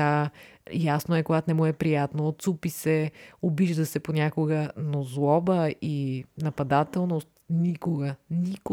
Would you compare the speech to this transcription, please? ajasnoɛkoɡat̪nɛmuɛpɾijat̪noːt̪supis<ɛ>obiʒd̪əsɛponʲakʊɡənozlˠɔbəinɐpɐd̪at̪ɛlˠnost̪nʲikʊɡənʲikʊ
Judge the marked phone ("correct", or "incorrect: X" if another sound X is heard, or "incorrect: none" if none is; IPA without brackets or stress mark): correct